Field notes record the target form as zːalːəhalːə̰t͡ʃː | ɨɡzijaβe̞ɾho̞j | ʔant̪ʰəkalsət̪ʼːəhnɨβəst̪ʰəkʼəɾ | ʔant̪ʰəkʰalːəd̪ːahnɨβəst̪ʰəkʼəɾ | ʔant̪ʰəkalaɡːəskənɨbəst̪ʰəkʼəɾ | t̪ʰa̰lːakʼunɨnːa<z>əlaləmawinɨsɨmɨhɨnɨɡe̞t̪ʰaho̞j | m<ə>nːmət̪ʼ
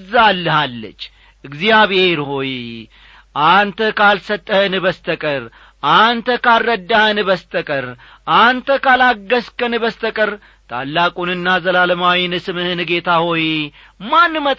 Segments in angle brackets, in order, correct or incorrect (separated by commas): correct, incorrect